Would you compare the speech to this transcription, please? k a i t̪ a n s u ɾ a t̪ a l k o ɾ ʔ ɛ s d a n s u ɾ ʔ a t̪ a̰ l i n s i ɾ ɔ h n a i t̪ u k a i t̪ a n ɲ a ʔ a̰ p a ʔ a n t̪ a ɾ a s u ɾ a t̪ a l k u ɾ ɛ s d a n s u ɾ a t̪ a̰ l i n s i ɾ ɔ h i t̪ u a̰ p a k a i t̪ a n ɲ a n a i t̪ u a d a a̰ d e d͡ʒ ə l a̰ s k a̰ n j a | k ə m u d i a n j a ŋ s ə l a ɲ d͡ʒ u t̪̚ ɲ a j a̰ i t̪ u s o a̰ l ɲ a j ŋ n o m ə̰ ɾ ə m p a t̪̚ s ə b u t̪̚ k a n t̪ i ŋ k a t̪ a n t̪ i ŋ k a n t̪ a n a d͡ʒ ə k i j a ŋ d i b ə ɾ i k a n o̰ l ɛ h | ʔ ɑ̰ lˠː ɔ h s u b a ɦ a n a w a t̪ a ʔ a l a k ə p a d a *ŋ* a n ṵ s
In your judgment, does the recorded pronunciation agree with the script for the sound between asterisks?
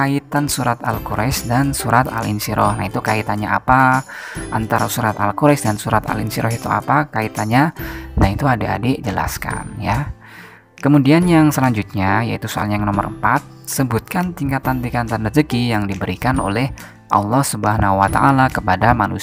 no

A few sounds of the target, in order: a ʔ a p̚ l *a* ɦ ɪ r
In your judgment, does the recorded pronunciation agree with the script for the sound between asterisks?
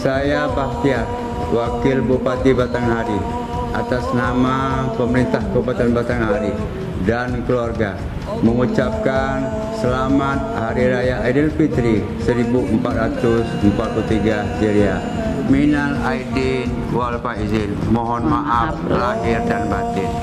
yes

